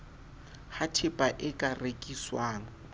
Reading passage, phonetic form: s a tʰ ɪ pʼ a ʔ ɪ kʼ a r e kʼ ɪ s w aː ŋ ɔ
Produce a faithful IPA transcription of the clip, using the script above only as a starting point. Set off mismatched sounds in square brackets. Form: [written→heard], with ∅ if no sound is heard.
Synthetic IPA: [s→h] a tʰ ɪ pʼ a ʔ ɪ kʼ a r e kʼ [ɪ→i] s w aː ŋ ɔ